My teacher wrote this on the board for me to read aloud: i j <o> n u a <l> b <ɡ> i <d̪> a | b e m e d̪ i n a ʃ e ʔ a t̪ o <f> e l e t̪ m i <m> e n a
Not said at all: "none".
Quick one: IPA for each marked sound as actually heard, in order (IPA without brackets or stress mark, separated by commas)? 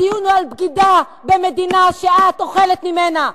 u, l, ɡ, d̪, χ, m